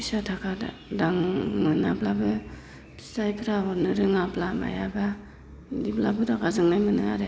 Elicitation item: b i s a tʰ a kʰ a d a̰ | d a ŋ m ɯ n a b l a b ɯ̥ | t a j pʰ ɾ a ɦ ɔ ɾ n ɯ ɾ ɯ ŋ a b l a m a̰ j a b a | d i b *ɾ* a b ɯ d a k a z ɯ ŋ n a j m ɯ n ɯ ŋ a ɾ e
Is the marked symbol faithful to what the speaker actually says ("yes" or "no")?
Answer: no